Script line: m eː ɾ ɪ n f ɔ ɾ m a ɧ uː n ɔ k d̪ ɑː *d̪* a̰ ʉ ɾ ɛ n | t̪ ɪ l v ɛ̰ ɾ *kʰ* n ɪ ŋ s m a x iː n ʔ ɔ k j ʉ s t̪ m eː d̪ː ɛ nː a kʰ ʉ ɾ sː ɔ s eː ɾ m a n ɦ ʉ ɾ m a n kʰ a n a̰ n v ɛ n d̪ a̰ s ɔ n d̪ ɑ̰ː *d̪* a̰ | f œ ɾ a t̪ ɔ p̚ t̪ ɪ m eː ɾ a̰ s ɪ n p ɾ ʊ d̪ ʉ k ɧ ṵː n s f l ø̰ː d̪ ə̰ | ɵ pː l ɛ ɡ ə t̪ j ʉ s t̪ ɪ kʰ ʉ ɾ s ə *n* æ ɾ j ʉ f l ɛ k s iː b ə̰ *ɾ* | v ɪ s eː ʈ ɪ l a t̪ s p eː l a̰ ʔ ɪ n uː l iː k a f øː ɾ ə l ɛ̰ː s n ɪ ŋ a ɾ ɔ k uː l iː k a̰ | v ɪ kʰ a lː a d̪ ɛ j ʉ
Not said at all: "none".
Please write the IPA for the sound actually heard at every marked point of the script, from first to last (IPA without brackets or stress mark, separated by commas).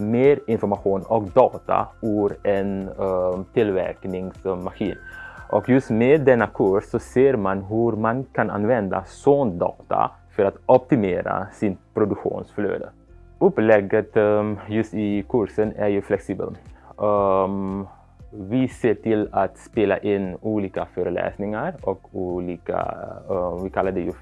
t̪, k, t̪, n, l